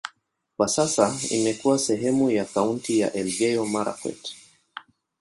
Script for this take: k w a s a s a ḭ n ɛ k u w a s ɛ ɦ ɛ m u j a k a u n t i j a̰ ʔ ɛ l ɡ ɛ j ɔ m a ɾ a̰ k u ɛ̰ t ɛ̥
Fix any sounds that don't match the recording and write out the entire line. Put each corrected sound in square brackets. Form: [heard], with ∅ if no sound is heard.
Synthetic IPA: k w a s a s a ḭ [m] ɛ k u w a s ɛ ɦ ɛ m u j a k a u n t i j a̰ ʔ ɛ l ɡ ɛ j ɔ m a ɾ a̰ k [w] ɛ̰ t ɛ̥